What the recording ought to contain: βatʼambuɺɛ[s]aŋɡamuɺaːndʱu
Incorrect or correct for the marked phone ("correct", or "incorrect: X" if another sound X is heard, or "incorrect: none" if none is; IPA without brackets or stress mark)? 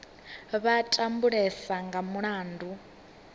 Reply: correct